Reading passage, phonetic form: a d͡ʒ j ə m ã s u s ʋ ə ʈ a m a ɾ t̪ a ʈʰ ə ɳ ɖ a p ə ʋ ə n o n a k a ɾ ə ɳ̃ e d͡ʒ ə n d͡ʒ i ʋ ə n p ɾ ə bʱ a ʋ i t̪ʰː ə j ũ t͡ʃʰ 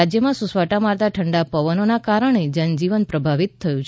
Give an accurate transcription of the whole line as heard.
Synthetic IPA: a d͡ʒ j ə m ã s u s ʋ a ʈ a m a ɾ t̪ a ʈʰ ə ɳ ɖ a p ə ʋ ə n o n a k a ɾ ə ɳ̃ e d͡ʒ ə n d͡ʒ i ʋ ə n p ɾ ə bʱ a ʋ i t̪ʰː ə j ũ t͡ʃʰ